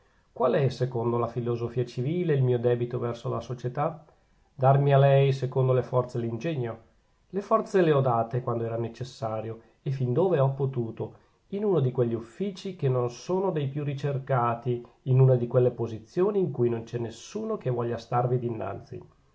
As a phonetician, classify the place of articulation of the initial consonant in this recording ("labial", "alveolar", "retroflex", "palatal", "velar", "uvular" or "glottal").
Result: velar